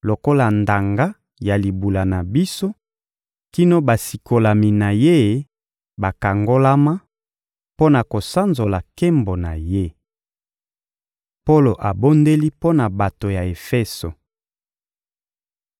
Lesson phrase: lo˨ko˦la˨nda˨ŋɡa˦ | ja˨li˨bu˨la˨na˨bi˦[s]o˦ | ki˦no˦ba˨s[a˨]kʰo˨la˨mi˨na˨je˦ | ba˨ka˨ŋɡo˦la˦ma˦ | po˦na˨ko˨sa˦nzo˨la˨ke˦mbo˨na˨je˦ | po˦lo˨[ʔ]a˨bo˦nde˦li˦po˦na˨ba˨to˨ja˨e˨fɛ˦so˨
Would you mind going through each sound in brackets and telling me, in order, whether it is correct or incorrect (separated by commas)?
correct, incorrect, correct